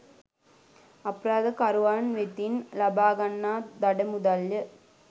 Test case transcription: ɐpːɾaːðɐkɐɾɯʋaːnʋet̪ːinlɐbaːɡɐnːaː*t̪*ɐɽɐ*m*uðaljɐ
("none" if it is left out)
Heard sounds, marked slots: d̪, m

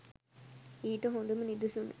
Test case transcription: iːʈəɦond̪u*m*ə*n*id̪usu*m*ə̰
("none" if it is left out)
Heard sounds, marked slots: m, n, n

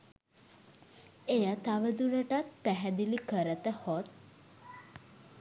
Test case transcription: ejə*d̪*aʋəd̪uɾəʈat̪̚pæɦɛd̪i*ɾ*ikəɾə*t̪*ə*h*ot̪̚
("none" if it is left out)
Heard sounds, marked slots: t̪, l, t̪, h

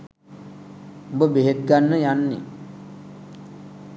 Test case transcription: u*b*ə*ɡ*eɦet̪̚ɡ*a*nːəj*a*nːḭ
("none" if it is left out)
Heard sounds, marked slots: b, b, a, a

